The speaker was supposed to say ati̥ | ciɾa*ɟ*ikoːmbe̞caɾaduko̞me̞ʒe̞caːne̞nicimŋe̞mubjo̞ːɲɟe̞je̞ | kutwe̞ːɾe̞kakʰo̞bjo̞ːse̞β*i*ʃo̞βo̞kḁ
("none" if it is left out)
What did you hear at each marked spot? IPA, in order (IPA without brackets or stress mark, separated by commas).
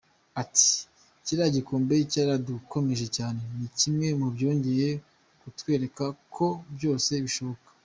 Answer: ɟ, i